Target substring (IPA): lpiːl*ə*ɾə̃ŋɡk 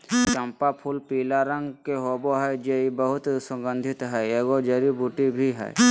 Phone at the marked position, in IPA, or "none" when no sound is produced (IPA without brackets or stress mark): a